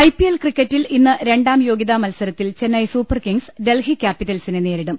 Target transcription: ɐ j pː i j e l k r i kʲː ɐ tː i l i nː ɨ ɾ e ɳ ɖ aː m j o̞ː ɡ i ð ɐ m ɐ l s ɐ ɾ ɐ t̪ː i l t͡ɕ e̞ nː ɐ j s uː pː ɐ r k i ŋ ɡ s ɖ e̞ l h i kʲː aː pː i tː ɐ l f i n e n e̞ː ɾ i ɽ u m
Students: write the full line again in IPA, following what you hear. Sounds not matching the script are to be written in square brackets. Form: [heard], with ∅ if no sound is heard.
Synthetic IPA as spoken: ɐ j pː i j e l k r i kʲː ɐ tː i l i nː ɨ ɾ e ɳ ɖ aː m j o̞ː ɡ i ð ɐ m ɐ l s ɐ ɾ ɐ t̪ː i l t͡ɕ e̞ nː ɐ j s uː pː ɐ r k i ŋ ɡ s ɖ e̞ l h i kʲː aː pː i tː ɐ l [s] i n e n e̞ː ɾ i ɽ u m